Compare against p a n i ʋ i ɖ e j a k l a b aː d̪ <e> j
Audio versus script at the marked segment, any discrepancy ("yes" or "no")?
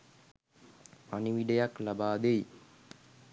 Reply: no